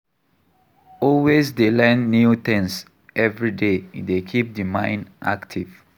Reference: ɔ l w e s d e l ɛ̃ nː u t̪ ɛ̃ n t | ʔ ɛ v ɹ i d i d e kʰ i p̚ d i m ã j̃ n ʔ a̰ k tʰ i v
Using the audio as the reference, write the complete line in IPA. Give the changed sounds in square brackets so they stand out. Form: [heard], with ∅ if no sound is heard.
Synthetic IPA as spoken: ɔ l w e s d e l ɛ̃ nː u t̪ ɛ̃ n [s] | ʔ ɛ v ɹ i d [e] d e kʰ i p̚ d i m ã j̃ n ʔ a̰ k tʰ i v